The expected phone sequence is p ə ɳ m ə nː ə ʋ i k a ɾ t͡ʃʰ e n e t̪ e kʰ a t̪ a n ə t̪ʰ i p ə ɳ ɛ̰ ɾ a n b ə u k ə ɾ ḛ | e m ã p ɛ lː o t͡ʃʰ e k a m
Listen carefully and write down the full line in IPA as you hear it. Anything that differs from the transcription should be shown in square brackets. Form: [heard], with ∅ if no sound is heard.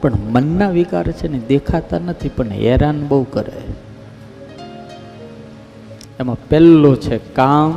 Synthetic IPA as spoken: p ə ɳ m ə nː [a] ʋ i k a ɾ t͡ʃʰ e n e [d̪] e kʰ a t̪ a n ə t̪ʰ i p ə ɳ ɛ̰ ɾ a n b ə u k ə ɾ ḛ | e m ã p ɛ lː o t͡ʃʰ e k a m